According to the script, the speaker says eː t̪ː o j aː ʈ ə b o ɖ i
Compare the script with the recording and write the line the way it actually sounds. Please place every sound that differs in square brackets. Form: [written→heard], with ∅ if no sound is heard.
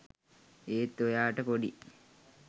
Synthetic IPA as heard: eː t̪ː o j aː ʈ ə [b→p] o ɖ i